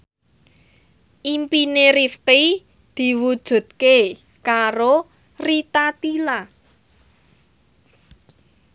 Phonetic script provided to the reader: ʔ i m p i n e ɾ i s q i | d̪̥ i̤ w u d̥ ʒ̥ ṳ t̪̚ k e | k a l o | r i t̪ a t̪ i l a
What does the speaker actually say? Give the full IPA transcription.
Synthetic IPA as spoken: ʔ i m p i n e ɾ i f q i | d̪̥ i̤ w u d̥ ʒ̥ ṳ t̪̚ k e | k a ɾ o | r i t̪ a t̪ i l a